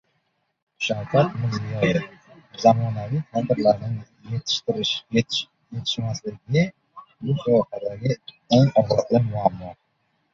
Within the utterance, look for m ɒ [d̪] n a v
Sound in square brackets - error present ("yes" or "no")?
yes